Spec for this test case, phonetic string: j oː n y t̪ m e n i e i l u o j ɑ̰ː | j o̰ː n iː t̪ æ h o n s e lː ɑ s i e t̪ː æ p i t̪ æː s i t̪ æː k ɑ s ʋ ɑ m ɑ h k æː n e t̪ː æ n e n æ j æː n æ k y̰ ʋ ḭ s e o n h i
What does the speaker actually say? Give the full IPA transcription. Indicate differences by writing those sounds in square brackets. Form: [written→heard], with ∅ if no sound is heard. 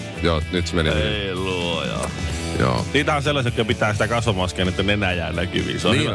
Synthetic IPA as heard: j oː n y t̪ m e n i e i l u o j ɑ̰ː | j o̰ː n iː t̪ æ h o n s e lː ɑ s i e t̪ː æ p i t̪ æː s i t̪ [æː→æ] k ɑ s ʋ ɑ m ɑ [h→s] k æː n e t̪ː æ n e n æ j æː n æ k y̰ ʋ ḭ s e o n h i